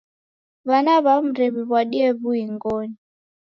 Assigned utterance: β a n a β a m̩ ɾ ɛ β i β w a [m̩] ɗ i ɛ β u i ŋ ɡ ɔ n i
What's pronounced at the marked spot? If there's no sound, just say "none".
none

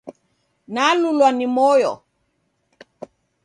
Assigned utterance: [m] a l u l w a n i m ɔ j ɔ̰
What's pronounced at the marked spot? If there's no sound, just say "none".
n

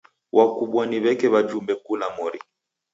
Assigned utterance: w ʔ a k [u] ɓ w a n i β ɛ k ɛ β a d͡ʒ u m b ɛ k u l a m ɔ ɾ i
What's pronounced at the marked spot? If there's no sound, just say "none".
u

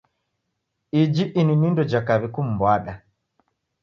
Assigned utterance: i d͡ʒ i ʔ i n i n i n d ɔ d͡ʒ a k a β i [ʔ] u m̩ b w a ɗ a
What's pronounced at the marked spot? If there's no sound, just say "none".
k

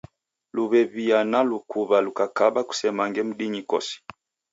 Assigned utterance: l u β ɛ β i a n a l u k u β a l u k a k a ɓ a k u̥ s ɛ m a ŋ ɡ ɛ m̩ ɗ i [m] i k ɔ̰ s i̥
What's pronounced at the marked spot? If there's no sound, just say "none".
ɲ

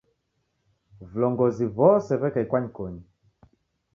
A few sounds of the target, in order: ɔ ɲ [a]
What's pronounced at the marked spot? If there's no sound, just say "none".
i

